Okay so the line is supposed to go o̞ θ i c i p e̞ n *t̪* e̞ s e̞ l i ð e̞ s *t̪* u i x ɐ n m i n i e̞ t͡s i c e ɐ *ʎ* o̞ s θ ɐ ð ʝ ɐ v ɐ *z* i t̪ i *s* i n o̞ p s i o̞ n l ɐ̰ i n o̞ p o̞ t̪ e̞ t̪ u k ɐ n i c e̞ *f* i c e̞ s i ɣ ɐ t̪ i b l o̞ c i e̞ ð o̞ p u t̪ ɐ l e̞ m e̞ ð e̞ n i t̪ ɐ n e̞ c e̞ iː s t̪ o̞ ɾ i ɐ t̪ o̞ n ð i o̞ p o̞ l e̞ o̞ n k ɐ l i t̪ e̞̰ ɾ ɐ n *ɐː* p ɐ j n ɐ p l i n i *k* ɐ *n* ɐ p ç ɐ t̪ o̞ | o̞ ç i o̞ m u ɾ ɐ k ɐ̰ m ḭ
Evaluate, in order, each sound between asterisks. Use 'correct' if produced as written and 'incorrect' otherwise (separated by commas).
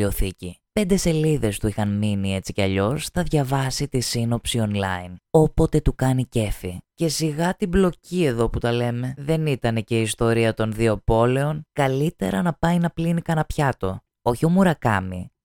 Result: incorrect, correct, correct, incorrect, correct, correct, incorrect, correct, correct